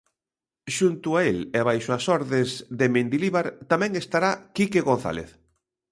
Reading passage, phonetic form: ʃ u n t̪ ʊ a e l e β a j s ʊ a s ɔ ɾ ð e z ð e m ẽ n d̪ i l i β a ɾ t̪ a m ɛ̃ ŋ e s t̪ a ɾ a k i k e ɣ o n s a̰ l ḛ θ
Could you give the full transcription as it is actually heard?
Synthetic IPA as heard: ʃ u n t̪ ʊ a e l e β a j ʃ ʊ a s ɔ ɾ ð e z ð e m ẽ n d̪ i l i β a ɾ t̪ a m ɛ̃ ŋ e s t̪ a ɾ a k i k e ɣ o n θ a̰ l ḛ θ